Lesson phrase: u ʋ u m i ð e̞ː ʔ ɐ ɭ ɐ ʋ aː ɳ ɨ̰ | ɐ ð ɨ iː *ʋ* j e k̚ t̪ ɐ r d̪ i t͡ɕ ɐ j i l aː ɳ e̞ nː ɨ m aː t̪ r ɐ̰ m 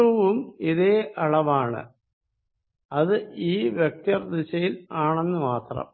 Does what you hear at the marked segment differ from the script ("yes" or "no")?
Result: no